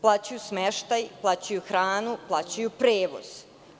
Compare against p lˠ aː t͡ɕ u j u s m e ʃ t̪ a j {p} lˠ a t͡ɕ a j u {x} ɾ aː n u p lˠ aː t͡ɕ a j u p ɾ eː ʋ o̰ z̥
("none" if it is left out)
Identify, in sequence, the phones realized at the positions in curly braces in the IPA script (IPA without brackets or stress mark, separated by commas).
p, x